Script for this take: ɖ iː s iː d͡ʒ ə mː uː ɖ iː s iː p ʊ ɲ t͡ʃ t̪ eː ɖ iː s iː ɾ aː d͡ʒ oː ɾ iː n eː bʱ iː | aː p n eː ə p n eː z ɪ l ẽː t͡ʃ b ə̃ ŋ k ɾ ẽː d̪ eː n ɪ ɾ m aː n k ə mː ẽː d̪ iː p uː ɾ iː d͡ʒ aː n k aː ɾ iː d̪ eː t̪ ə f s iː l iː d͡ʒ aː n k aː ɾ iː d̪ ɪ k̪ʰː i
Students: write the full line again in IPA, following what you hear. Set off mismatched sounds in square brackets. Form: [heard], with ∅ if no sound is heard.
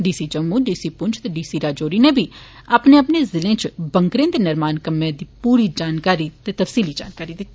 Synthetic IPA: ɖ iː s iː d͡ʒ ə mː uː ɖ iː s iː p ʊ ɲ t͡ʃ t̪ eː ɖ iː s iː ɾ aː d͡ʒ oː ɾ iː n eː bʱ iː | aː p n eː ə p n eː z ɪ l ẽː t͡ʃ b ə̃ ŋ k ɾ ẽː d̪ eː n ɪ ɾ m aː n k ə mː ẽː d̪ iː p uː ɾ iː d͡ʒ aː n k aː ɾ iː [t̪] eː t̪ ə f s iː l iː d͡ʒ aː n k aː ɾ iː d̪ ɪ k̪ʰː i